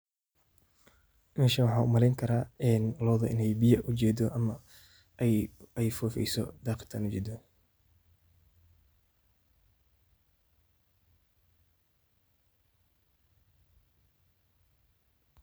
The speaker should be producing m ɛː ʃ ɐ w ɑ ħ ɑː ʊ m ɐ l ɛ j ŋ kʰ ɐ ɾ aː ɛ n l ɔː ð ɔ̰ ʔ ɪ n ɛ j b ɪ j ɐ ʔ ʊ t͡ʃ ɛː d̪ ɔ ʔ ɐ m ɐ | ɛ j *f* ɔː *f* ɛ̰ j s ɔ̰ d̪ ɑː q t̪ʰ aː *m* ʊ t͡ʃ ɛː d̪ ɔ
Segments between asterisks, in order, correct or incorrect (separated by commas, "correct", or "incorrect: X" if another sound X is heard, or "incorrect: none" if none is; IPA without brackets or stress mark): correct, correct, incorrect: n